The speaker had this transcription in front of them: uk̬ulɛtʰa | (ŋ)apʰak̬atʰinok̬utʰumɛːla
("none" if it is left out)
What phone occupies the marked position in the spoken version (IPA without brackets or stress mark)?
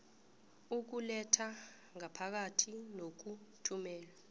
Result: ŋ